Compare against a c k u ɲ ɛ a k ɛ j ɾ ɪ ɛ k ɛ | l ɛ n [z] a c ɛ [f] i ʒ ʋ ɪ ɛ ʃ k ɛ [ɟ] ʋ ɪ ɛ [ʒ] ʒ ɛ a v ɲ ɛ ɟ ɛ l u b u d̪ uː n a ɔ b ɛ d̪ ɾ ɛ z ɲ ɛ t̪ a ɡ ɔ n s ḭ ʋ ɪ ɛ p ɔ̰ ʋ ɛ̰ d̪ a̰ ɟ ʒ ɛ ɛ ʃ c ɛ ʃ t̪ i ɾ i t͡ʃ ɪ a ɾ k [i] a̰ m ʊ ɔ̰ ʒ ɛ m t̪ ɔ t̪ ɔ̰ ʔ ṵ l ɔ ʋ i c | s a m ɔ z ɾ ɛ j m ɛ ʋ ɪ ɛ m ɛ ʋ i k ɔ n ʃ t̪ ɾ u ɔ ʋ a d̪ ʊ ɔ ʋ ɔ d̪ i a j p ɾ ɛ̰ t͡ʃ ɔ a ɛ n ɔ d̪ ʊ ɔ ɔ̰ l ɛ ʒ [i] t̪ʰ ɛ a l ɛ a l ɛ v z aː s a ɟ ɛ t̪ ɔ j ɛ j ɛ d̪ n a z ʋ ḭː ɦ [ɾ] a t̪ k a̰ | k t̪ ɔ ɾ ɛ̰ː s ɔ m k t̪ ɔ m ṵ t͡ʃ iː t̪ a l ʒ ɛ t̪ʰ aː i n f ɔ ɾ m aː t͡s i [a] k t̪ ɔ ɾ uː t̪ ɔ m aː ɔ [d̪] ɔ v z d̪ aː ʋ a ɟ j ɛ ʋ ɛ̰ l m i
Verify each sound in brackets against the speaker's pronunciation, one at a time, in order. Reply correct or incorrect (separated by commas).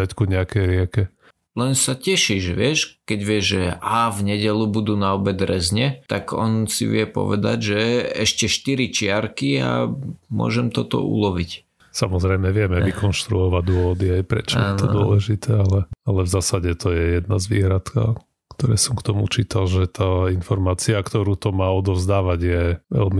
incorrect, incorrect, correct, correct, correct, correct, correct, correct, correct